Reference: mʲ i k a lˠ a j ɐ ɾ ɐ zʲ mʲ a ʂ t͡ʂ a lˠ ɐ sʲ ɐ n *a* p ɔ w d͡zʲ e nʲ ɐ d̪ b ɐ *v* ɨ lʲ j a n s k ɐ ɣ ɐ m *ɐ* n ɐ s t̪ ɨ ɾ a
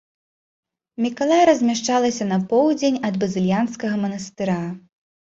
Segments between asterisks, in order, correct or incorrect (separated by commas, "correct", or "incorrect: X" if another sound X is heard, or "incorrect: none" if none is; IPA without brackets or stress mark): incorrect: ɐ, incorrect: z, correct